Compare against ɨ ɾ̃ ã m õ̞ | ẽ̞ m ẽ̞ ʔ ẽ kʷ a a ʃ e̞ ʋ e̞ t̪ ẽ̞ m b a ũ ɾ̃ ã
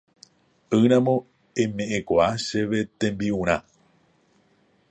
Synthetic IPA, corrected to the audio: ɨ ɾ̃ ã m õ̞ | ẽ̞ m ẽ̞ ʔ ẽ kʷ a a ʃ e̞ ʋ e̞ t̪ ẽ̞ m b i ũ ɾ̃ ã